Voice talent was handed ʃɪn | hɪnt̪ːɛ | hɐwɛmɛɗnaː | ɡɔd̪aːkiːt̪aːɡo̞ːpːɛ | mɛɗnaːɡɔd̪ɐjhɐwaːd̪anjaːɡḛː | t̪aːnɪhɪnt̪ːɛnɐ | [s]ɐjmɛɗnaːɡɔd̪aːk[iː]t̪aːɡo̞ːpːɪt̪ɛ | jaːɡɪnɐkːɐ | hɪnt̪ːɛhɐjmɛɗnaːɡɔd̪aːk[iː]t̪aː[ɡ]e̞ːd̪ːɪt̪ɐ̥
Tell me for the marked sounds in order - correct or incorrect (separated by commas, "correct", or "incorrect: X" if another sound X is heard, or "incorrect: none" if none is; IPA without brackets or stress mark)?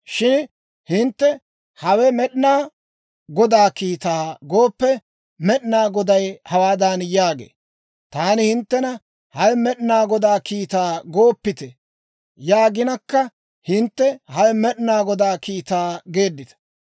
incorrect: h, correct, correct, correct